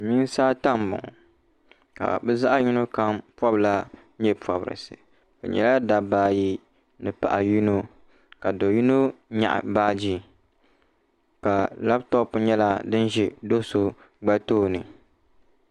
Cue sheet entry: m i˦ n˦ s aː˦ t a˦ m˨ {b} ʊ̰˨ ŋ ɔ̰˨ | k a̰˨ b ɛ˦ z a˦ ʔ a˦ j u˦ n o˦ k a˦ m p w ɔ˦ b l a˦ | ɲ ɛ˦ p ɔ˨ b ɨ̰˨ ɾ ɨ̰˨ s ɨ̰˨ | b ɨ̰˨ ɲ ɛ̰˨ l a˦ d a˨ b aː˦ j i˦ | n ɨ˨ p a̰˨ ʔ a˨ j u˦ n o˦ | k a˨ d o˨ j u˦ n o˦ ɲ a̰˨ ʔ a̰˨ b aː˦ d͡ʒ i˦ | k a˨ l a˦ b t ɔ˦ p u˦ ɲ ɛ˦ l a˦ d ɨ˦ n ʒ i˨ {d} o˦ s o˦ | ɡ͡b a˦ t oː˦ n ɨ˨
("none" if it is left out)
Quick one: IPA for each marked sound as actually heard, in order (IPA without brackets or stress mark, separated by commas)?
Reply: b, d